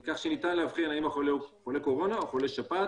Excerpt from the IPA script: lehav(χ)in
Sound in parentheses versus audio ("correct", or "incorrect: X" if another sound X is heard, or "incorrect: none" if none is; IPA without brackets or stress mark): correct